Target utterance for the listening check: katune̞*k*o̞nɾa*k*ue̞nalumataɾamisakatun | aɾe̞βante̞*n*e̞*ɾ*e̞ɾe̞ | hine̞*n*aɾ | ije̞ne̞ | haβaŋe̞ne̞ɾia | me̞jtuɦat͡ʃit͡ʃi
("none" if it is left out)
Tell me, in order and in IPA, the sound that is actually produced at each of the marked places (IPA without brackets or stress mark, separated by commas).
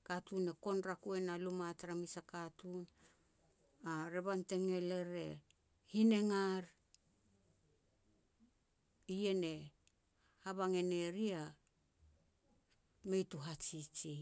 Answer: k, k, ŋ, l, ŋ